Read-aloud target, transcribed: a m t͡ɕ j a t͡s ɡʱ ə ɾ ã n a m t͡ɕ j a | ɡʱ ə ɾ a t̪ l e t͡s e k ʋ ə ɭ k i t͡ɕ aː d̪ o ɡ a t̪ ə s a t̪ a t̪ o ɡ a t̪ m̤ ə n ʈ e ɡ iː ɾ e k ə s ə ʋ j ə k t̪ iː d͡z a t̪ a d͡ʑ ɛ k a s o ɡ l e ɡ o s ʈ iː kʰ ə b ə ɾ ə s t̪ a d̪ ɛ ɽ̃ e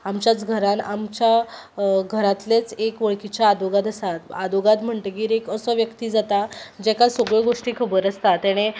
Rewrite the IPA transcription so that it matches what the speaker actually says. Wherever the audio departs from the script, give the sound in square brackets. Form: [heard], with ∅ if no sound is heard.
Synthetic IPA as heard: a m t͡ɕ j a t͡s ɡʱ ə ɾ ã n a m t͡ɕ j a | ɡʱ ə ɾ a t̪ l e t͡s e k ʋ ə ɭ k i t͡ɕ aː d̪ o ɡ a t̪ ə s a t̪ a [d̪] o ɡ a t̪ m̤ ə [ɳ] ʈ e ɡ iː ɾ e k ə s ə ʋ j ə k t̪ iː d͡z a t̪ a d͡ʑ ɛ k a s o ɡ [ɭ] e ɡ o [ʂ] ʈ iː kʰ ə b ə ɾ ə s t̪ a [t̪] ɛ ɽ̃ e